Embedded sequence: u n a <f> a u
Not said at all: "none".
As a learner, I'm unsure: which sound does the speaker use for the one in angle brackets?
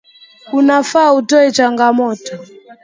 f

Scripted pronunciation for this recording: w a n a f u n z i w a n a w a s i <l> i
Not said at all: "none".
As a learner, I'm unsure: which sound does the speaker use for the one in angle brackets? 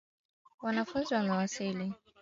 l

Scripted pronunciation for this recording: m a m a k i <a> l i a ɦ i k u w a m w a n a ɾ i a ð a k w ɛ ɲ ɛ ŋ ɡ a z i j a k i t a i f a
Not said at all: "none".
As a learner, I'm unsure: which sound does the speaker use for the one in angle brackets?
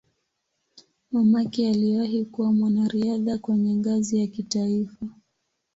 a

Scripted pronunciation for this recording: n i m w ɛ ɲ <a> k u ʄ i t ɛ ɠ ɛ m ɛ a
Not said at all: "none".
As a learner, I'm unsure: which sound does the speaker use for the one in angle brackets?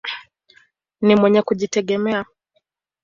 ɛ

